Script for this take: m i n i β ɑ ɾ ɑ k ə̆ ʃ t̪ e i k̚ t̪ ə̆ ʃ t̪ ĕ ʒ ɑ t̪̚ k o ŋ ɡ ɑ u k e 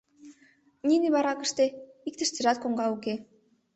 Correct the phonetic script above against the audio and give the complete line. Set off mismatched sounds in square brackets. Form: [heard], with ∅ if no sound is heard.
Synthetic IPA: [n] i n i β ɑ ɾ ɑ k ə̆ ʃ t̪ e i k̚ t̪ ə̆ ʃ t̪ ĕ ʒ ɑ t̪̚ k o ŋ ɡ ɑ u k e